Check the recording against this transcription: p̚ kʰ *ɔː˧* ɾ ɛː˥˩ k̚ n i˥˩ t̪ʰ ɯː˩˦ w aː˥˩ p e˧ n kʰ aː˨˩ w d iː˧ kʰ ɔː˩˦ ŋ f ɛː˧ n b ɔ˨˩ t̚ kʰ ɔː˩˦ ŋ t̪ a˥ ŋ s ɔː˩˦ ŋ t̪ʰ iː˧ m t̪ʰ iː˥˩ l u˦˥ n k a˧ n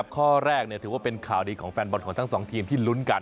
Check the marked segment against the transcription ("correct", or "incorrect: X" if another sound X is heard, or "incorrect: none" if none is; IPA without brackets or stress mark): incorrect: ɔː˥˩